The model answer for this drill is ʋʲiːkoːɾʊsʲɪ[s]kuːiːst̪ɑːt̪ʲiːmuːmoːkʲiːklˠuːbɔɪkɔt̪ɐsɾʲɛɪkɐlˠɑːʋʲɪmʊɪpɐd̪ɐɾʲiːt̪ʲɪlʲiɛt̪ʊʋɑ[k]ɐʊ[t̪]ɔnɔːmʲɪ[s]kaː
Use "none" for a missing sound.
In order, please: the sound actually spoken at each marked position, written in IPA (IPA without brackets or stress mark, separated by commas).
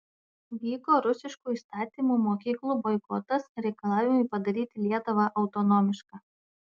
ʃ, ʔ, t̪, ʃ